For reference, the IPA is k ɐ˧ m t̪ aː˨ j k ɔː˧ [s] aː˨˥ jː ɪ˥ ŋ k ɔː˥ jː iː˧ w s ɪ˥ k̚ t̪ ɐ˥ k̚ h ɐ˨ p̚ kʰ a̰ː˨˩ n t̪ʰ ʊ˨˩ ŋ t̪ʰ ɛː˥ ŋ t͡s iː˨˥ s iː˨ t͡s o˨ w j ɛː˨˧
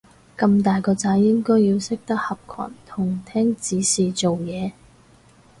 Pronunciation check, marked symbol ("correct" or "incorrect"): incorrect